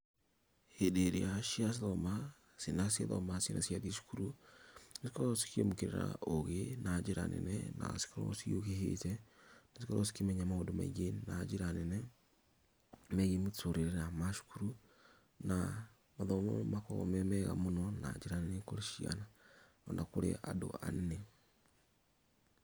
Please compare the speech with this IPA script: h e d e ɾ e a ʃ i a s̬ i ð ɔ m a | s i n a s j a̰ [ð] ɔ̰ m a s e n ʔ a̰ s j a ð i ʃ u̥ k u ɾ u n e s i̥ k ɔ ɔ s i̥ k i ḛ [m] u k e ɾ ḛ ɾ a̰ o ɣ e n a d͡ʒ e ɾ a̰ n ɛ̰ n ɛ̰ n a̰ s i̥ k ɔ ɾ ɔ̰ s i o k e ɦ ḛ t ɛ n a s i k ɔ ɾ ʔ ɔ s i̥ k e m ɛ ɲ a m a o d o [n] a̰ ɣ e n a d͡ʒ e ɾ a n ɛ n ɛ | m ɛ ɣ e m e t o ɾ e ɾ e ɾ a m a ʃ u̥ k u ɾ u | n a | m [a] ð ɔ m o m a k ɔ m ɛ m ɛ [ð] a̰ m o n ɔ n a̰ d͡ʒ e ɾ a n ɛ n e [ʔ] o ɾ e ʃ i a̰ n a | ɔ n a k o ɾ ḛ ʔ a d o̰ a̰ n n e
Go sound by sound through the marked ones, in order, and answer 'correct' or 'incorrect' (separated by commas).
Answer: correct, correct, incorrect, correct, incorrect, incorrect